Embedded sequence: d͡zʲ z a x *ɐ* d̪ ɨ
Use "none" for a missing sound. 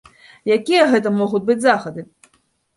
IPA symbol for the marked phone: ɐ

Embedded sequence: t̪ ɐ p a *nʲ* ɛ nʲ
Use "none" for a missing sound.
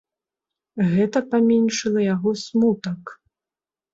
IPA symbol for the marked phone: mʲ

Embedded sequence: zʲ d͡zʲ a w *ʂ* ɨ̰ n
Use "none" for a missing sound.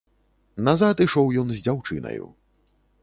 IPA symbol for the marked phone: t͡ʂ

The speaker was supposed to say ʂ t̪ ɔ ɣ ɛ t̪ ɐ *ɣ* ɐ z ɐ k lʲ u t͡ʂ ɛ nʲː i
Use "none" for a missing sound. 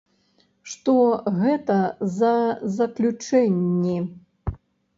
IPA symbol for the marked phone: z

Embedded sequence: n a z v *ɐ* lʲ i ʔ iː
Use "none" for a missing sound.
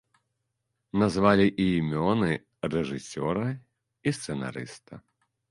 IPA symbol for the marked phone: a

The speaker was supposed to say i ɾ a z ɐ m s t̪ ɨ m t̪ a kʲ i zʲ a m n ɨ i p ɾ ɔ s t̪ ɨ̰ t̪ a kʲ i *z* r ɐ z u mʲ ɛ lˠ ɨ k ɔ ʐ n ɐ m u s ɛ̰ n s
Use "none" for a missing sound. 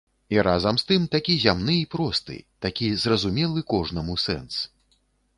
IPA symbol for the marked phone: z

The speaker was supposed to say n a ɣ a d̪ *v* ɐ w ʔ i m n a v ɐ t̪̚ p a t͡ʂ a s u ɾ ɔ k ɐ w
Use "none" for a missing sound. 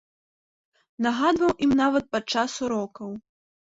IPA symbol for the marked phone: v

